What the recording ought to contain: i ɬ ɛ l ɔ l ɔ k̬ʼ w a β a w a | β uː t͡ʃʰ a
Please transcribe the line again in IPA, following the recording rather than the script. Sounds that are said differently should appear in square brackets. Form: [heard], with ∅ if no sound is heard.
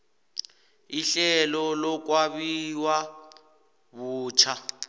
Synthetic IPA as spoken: i ɬ ɛ l ɔ l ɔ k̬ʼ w a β [i] w a | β uː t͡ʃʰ a